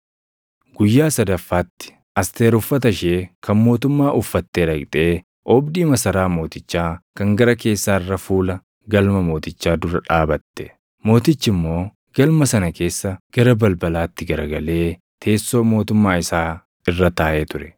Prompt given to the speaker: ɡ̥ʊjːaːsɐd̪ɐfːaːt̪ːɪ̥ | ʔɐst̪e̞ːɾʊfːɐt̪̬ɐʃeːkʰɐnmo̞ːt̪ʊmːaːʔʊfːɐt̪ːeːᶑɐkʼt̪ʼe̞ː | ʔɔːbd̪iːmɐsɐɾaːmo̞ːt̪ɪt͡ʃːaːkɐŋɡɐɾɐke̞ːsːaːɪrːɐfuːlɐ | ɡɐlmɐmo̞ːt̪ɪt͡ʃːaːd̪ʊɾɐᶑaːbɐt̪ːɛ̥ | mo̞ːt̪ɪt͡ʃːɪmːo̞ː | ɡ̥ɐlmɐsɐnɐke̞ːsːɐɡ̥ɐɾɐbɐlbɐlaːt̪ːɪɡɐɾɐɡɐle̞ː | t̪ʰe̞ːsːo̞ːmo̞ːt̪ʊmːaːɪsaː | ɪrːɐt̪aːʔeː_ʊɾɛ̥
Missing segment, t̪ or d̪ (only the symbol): t̪